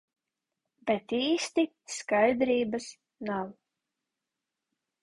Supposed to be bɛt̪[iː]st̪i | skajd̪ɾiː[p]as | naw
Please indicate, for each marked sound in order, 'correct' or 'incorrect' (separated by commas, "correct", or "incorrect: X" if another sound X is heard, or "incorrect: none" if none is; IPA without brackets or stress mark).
correct, incorrect: b